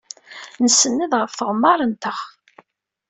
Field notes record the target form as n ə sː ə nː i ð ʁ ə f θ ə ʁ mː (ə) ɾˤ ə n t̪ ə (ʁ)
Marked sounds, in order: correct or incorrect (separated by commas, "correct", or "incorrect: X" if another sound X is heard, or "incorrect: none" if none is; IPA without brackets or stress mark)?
incorrect: ɑ, incorrect: χ